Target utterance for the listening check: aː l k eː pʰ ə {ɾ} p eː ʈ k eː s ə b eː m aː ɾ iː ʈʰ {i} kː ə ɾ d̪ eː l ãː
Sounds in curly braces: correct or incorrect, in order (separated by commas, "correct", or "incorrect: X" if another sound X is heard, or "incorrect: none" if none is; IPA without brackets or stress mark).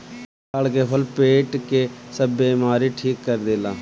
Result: incorrect: l, incorrect: iː